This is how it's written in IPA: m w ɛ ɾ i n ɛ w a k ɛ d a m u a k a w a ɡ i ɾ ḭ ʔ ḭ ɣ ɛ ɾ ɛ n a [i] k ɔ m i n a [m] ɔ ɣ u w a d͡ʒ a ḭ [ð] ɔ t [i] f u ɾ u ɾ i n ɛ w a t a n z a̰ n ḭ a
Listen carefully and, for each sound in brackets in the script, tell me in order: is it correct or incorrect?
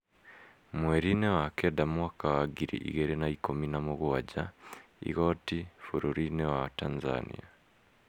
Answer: correct, correct, incorrect, correct

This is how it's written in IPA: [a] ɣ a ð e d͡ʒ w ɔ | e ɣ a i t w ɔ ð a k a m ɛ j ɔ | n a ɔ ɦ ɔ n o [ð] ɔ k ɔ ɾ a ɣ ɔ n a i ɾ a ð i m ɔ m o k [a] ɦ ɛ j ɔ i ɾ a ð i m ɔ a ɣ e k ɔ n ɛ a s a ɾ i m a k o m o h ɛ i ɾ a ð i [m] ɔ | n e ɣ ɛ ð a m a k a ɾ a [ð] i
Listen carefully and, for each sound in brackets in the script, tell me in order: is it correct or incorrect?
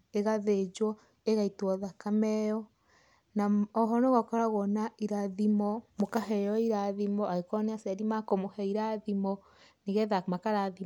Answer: incorrect, incorrect, correct, correct, correct

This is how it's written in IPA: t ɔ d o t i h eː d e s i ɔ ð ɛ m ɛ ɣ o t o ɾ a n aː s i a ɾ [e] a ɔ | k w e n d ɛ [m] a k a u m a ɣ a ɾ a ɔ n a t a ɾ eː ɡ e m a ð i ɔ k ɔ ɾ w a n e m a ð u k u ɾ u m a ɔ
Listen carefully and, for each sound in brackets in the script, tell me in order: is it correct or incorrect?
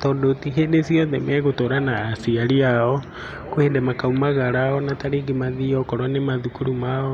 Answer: incorrect, correct

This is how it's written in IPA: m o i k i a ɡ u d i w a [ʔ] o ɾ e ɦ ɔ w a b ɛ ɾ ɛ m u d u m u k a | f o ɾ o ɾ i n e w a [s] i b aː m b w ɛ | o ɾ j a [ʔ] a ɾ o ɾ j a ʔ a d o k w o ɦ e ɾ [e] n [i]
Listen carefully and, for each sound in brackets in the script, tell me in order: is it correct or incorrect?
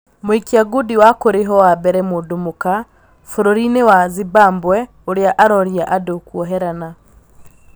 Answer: incorrect, incorrect, correct, incorrect, incorrect

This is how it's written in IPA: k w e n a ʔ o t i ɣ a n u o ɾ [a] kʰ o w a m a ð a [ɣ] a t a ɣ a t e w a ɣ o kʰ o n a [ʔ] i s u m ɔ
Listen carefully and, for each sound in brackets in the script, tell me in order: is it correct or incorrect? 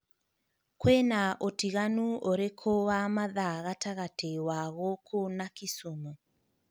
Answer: incorrect, correct, incorrect

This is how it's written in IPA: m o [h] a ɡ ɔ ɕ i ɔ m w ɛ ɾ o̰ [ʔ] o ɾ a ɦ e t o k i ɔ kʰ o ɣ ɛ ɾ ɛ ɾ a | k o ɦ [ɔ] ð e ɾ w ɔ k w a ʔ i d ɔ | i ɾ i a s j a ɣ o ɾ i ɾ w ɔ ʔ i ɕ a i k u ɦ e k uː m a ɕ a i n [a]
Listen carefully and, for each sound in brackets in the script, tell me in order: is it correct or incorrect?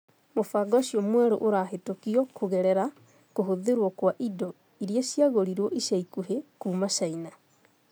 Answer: incorrect, correct, incorrect, correct

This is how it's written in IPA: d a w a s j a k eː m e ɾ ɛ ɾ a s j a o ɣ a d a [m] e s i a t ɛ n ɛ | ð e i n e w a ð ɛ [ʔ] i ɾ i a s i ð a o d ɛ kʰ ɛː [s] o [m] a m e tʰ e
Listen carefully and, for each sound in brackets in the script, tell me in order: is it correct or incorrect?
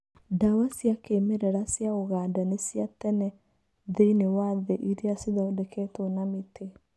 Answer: incorrect, correct, incorrect, incorrect

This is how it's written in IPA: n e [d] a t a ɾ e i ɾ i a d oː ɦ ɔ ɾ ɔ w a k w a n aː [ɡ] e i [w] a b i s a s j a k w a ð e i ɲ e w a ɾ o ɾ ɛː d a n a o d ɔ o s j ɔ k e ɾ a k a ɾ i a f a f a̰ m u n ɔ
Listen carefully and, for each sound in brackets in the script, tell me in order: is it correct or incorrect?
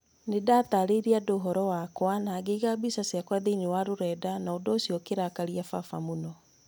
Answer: correct, correct, incorrect

